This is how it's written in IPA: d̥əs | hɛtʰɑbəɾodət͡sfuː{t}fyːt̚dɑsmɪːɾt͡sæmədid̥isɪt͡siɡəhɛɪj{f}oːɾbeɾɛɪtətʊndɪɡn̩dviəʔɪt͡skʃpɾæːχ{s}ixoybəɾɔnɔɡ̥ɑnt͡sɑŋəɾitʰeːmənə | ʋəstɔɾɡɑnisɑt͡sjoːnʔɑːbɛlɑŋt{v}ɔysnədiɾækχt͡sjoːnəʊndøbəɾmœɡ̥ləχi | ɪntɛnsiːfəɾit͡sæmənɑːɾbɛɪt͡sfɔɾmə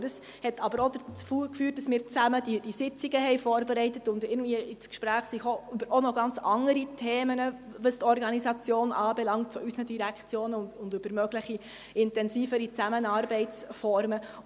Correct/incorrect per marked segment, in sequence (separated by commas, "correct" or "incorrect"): incorrect, correct, correct, incorrect